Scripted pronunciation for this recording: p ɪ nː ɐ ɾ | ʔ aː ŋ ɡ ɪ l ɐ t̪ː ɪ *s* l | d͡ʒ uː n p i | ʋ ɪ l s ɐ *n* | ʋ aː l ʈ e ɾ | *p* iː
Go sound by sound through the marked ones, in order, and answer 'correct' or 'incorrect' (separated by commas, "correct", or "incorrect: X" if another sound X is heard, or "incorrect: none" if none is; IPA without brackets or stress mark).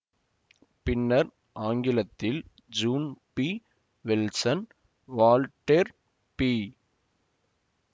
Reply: incorrect: none, correct, correct